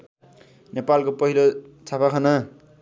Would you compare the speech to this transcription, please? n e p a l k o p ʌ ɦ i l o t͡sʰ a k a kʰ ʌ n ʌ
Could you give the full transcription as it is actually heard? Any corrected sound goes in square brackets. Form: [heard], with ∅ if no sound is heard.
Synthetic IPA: n e p a l k o p ʌ ɦ i l o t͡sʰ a [p] a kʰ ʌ n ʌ